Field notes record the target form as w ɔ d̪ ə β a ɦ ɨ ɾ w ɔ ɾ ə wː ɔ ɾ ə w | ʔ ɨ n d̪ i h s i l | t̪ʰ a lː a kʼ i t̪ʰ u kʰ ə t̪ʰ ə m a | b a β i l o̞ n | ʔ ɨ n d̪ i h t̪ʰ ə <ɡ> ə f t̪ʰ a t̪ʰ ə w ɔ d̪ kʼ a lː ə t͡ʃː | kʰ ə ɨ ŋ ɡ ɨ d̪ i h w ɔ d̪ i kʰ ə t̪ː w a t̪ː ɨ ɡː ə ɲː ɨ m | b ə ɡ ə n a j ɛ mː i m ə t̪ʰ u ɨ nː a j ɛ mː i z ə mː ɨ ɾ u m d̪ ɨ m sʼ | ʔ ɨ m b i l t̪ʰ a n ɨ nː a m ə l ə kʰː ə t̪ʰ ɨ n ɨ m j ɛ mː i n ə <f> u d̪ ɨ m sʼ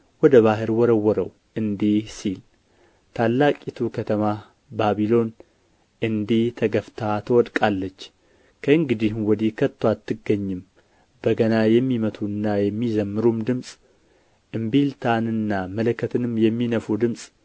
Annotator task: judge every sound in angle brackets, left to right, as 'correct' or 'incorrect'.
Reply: correct, correct

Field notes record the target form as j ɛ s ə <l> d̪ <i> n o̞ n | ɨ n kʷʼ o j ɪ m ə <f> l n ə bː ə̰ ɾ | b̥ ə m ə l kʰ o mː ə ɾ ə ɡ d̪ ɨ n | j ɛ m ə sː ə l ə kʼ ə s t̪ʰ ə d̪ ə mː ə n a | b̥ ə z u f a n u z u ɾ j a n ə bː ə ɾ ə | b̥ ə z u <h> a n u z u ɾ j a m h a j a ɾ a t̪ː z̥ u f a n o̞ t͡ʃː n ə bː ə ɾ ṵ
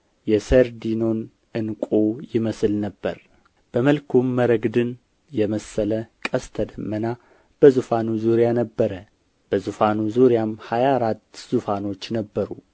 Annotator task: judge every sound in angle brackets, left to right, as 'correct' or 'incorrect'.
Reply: incorrect, correct, incorrect, incorrect

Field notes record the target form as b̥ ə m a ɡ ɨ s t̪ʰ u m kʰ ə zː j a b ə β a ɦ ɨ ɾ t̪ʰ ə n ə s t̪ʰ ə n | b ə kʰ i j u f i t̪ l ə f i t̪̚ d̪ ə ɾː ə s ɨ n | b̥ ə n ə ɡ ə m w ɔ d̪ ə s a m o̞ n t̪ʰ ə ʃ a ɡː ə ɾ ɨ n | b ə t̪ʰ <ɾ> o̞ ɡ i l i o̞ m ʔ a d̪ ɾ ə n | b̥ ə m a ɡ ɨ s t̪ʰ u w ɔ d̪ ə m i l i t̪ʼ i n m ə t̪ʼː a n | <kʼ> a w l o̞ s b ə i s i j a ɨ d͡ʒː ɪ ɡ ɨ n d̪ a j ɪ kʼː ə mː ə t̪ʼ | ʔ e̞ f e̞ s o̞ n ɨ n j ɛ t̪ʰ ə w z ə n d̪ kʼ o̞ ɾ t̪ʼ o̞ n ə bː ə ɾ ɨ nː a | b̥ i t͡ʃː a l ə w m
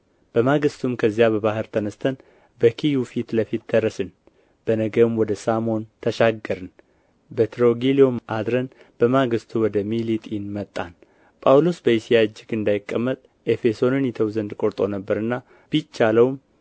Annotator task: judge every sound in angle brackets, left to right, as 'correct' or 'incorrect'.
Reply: correct, incorrect

